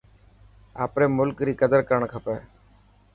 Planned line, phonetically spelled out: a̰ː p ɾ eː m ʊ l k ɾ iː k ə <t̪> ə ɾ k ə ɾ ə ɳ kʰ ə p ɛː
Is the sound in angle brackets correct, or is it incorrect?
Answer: incorrect